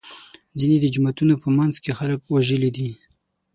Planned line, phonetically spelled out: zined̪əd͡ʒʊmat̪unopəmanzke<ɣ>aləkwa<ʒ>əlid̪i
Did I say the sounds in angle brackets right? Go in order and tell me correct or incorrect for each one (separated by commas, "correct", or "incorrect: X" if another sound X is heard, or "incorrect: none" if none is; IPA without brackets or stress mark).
incorrect: x, correct